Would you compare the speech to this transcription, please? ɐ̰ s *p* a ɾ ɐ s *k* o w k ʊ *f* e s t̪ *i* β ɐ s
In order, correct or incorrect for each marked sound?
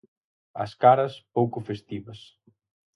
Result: incorrect: k, incorrect: p, correct, correct

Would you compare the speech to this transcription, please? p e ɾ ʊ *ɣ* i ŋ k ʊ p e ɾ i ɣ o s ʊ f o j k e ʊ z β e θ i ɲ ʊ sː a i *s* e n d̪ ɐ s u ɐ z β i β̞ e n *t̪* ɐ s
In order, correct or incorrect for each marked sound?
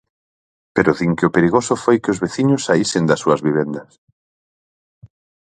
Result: incorrect: ð, correct, incorrect: d̪

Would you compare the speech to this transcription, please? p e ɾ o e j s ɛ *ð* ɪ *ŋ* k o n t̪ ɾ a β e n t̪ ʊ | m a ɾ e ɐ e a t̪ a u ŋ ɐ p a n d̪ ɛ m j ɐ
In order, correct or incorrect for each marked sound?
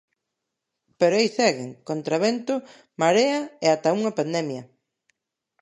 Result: incorrect: ɣ, correct

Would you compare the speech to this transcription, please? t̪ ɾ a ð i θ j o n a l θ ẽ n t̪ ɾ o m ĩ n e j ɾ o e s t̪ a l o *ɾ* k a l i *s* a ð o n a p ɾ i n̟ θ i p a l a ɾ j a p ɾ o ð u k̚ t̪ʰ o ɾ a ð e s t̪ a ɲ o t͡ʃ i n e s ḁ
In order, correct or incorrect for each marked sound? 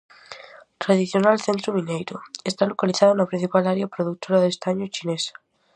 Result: incorrect: none, incorrect: θ

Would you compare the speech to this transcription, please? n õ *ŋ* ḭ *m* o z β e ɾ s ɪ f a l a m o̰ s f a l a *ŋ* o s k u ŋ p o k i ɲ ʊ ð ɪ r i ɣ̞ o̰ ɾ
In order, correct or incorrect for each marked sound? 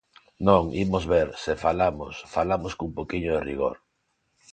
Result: correct, correct, incorrect: m

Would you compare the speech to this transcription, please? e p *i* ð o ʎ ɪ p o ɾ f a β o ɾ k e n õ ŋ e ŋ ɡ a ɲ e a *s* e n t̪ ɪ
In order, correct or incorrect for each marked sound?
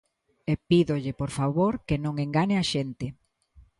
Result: correct, incorrect: ʃ

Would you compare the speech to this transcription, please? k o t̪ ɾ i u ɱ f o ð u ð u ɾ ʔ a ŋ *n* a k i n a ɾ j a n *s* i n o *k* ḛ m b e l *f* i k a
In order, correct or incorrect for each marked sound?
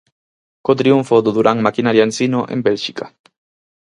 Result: incorrect: m, correct, incorrect: ʔ, incorrect: ʃ

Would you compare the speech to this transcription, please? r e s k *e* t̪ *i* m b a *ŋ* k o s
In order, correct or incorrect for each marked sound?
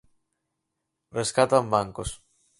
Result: incorrect: a, incorrect: a, correct

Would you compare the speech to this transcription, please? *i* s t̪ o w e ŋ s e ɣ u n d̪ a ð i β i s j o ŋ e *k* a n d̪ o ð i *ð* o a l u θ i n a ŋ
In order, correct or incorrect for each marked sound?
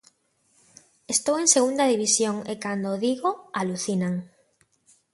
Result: incorrect: e, correct, incorrect: ɣ

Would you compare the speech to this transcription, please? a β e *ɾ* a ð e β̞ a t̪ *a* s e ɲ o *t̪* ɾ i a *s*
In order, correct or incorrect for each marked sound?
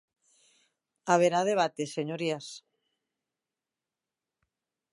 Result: correct, incorrect: e, incorrect: none, correct

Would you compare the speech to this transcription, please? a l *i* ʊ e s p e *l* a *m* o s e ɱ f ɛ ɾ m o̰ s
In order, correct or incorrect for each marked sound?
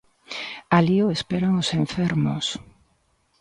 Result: correct, incorrect: ɾ, incorrect: ŋ

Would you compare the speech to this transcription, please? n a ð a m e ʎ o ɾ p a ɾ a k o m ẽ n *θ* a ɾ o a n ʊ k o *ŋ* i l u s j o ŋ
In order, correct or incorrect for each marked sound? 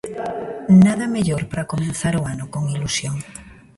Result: correct, correct

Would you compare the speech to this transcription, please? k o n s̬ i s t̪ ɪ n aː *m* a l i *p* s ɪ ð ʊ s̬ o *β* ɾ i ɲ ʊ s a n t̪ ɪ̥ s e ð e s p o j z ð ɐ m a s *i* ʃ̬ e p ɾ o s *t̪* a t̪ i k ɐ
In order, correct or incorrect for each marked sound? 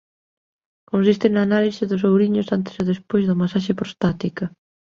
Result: incorrect: n, incorrect: none, incorrect: w, incorrect: a, correct

